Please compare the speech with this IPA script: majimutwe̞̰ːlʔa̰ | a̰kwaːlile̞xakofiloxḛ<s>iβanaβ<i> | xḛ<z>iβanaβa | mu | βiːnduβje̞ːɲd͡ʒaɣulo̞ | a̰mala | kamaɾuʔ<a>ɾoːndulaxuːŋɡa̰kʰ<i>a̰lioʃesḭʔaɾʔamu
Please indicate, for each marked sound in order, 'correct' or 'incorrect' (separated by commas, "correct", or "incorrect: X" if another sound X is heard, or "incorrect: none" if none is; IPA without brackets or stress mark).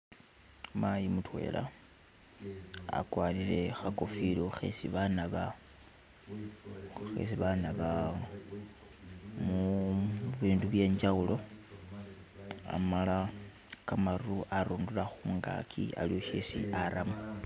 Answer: correct, incorrect: a, incorrect: s, correct, correct